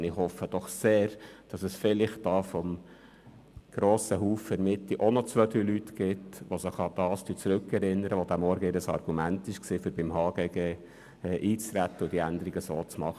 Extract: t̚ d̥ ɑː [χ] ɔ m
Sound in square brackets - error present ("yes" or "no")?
yes